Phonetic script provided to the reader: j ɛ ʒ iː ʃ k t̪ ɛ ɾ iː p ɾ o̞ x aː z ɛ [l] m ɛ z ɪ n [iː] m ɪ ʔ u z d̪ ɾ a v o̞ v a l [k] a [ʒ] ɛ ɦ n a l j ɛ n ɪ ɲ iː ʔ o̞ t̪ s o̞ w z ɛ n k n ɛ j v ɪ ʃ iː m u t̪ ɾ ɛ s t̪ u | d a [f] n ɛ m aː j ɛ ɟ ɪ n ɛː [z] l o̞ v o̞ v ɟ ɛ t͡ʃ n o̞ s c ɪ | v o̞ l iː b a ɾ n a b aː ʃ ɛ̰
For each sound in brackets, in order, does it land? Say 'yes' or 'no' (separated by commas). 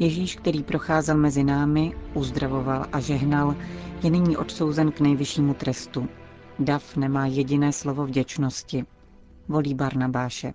yes, no, no, yes, yes, no